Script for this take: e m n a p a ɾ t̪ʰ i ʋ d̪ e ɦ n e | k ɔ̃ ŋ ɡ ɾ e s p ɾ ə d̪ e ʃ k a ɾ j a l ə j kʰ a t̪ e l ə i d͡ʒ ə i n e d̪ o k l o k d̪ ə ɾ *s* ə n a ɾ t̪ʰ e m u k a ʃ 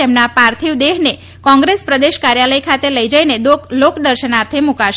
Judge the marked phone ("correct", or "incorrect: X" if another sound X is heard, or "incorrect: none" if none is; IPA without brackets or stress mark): incorrect: ʃ